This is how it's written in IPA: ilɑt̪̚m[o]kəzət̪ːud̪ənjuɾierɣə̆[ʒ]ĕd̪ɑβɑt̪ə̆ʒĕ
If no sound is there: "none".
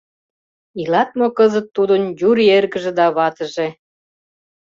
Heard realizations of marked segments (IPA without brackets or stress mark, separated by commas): o, ʒ